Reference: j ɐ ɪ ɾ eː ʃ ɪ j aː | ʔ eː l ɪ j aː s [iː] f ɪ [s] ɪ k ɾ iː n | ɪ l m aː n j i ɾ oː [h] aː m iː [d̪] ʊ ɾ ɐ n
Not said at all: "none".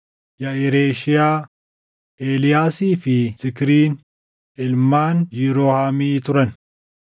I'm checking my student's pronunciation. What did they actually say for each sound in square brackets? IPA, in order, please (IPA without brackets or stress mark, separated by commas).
iː, s, h, t̪